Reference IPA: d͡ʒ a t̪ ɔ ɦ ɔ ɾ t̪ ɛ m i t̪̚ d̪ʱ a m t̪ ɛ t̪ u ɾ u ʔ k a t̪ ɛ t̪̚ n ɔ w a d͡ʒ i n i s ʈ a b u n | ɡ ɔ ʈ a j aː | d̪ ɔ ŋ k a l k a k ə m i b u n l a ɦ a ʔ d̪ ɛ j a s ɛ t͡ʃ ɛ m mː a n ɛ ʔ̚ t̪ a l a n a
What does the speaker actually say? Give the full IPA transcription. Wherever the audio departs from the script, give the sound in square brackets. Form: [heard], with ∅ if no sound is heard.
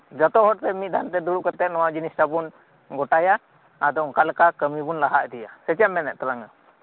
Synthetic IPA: d͡ʒ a t̪ ɔ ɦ ɔ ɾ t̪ ɛ m i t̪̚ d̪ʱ a [n] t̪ ɛ [d̪] u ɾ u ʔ k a t̪ ɛ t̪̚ n ɔ w a d͡ʒ i n i s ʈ a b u n | ɡ ɔ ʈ a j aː | d̪ ɔ ŋ k a l k a k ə m i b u n l a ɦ a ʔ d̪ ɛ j a s ɛ t͡ʃ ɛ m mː [ɛ] n ɛ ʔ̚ t̪ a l a [ŋ] a